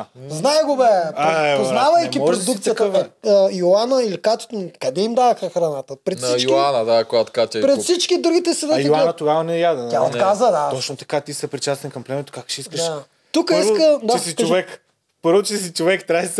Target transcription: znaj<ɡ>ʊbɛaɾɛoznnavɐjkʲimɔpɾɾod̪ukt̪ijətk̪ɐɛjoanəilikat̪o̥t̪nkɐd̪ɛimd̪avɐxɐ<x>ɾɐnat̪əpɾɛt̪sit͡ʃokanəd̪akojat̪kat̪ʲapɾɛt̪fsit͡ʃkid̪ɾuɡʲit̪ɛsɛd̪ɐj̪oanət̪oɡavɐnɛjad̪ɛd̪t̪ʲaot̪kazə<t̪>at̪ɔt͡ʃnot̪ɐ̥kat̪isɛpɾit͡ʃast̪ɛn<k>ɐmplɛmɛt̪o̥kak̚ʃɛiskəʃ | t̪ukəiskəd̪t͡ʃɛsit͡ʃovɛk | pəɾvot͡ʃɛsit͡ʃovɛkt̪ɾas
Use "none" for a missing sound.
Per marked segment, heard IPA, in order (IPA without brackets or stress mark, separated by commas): ɡ, x, d̪, k